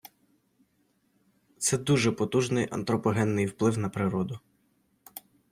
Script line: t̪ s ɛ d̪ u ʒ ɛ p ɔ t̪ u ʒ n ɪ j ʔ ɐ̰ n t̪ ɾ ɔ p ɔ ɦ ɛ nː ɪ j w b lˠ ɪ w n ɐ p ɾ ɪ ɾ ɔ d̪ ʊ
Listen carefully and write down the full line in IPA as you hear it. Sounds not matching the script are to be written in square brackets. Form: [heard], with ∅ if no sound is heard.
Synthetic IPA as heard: t̪ s ɛ d̪ u ʒ ɛ p ɔ t̪ u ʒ n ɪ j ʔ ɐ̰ n t̪ ɾ ɔ p ɔ ɦ ɛ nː ɪ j w [p] lˠ ɪ w n ɐ p ɾ ɪ ɾ ɔ d̪ ʊ

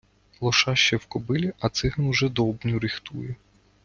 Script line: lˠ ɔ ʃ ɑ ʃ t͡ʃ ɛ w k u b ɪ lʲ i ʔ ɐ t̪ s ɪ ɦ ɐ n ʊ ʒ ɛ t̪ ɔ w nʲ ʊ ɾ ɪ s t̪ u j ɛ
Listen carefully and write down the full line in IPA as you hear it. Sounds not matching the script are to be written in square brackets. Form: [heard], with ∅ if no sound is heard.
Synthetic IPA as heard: lˠ ɔ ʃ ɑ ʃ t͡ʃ ɛ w k [ɔ] b ɪ lʲ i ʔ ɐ t̪ s ɪ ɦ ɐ n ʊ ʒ ɛ [d̪] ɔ [b] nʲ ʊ ɾ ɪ [x] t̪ u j ɛ

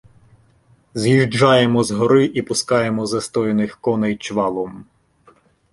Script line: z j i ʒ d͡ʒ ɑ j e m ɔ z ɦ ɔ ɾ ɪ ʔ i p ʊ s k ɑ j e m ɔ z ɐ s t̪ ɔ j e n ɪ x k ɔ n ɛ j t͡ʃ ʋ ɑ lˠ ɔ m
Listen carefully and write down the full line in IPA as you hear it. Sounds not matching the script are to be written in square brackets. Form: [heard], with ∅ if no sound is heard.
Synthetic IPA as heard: z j i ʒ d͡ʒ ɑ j e m ɔ z ɦ ɔ ɾ ɪ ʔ i p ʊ s k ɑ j e m ɔ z ɐ s t̪ ɔ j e n ɪ x k ɔ n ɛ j t͡ʃ ʋ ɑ lˠ ɔ m

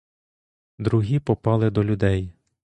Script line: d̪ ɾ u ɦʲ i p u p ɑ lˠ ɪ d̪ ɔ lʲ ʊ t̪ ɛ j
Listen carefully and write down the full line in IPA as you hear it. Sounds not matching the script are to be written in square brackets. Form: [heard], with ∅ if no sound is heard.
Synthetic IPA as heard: d̪ ɾ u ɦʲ i p [ɔ] p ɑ lˠ ɪ d̪ ɔ lʲ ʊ [d̪] ɛ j

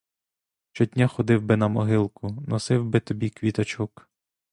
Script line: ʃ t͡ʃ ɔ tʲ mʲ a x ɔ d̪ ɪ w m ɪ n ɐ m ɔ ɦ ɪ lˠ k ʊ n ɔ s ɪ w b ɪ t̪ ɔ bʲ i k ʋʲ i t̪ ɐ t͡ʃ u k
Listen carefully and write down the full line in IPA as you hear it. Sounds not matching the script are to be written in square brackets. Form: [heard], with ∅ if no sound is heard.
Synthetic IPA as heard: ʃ t͡ʃ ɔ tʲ [nʲ] a x ɔ d̪ ɪ w [b] ɪ n ɐ m ɔ ɦ ɪ lˠ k ʊ n ɔ s ɪ w b ɪ t̪ ɔ bʲ i k ʋʲ i t̪ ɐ t͡ʃ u k

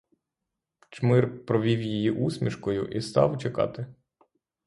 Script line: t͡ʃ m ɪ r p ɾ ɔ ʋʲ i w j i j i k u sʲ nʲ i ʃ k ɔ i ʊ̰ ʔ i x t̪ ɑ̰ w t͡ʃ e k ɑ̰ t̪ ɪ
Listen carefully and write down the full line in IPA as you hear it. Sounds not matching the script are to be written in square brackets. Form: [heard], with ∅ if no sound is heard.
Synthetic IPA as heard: t͡ʃ m ɪ r p ɾ ɔ ʋʲ i w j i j i [ʔ] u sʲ [mʲ] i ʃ k ɔ [j] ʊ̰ ʔ i [s] t̪ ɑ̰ w t͡ʃ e k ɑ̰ t̪ ɪ

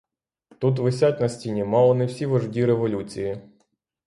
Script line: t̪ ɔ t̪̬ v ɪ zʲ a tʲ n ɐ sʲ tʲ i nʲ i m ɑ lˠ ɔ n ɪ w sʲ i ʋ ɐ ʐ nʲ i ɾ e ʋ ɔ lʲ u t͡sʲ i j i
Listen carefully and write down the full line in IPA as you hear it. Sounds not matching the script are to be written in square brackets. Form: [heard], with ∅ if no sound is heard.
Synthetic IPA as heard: t̪ [u] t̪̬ [ʋ] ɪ [sʲ] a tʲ n ɐ sʲ tʲ i nʲ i m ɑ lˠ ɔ n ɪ w sʲ i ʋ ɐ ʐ [dʲ] i ɾ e ʋ ɔ lʲ u t͡sʲ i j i

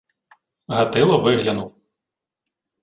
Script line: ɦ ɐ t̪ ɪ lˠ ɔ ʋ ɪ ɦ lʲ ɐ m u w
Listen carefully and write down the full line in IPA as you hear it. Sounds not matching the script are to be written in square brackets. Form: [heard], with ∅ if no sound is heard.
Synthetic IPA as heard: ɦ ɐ t̪ ɪ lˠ ɔ ʋ ɪ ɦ lʲ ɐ [n] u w

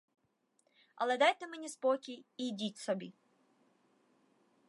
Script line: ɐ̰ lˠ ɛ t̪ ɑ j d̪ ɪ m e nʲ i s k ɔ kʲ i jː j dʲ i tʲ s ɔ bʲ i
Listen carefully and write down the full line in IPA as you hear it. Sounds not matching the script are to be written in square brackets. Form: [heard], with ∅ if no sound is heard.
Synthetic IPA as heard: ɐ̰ lˠ ɛ [d̪] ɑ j [t̪] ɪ m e nʲ i s [p] ɔ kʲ i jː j dʲ i tʲ s ɔ bʲ i

